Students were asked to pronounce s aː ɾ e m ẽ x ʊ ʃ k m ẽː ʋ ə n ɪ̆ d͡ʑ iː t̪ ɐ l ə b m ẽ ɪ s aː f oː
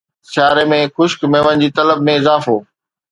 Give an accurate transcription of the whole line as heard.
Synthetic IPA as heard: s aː ɾ e m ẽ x ʊ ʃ k m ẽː ʋ ə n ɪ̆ d͡ʑ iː t̪ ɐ l ə b m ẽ ɪ z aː f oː